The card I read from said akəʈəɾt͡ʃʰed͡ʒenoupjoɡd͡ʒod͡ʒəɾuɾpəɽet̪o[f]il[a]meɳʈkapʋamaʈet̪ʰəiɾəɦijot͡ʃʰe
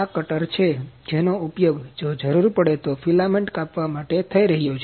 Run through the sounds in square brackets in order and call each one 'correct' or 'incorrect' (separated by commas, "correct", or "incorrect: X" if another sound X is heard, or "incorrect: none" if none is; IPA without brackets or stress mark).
correct, correct